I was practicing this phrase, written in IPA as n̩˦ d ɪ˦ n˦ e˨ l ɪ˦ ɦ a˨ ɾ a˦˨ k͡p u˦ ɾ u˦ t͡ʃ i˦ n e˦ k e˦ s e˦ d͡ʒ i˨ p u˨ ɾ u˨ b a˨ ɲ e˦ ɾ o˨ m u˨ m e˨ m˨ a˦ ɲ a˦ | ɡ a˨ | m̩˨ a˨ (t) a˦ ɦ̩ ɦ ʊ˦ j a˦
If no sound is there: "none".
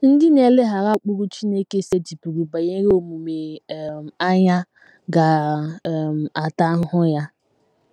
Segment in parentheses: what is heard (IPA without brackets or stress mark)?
t